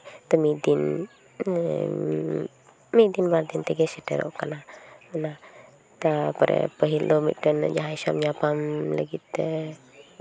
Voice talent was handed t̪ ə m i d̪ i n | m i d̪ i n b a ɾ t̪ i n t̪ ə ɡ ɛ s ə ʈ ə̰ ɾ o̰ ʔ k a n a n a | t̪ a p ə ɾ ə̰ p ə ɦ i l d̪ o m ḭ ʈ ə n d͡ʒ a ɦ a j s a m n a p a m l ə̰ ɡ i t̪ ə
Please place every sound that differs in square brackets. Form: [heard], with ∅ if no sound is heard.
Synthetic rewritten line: t̪ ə m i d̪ i n | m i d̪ i n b a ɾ [d̪] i n t̪ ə ɡ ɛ s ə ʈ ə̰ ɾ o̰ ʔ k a n a n a | t̪ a p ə ɾ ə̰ p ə ɦ i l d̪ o m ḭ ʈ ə n d͡ʒ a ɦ a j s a m [ɲ] a p a m l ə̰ ɡ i t̪ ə